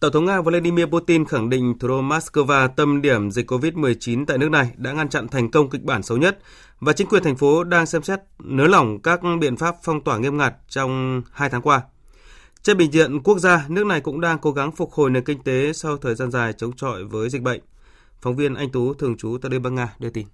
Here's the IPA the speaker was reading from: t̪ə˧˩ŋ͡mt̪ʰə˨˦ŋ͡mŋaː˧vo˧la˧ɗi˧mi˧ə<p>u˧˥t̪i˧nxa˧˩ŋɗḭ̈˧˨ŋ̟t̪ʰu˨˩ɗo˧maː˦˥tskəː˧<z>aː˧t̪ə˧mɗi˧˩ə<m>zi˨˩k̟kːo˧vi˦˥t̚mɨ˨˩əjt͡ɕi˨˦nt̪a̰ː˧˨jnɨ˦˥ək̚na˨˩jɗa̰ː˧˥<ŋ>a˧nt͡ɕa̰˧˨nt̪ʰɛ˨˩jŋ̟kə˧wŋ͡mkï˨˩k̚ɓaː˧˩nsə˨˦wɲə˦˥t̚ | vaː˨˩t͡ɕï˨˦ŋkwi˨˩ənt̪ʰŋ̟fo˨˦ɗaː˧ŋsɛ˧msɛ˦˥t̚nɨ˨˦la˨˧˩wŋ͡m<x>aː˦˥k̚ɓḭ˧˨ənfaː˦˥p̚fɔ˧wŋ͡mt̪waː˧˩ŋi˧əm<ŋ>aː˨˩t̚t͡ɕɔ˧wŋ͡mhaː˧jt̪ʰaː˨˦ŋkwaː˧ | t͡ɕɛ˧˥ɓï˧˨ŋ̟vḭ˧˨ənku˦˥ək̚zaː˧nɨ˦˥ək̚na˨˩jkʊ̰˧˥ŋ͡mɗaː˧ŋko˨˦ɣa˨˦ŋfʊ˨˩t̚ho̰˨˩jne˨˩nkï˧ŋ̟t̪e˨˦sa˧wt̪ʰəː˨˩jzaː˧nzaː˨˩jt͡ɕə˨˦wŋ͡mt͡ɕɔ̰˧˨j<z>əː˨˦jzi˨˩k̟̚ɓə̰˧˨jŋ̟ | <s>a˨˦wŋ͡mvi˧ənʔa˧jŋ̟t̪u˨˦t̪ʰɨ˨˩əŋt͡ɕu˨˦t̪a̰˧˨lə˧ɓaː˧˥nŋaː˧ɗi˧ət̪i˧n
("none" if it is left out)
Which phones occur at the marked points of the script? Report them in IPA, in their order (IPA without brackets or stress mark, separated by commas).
p, v, m, ŋ, k, ŋ, v, f